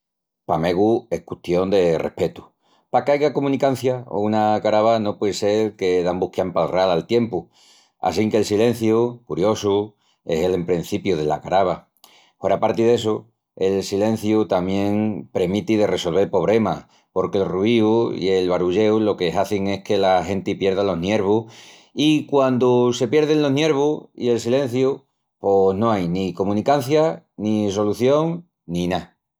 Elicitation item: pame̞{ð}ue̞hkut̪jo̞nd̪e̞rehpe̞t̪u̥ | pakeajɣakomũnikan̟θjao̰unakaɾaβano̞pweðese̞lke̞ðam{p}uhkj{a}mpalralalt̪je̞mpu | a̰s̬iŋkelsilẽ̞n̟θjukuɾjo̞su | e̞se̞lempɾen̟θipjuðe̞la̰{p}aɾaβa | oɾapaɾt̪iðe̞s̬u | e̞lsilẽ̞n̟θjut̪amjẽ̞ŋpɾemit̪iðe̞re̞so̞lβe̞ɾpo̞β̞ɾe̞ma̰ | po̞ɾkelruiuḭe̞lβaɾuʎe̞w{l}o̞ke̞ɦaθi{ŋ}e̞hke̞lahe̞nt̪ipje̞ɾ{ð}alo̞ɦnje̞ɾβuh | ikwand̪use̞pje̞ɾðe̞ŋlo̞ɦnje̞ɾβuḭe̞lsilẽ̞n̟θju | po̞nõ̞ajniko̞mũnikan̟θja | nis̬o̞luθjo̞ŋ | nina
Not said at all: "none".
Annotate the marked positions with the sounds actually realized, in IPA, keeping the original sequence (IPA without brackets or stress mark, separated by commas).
ɣ, b, a, k, l, ŋ, ð